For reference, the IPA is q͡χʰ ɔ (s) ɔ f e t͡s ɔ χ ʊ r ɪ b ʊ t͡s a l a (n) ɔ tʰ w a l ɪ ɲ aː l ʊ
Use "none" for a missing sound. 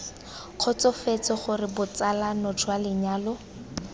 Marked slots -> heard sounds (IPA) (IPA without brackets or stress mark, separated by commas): t͡s, n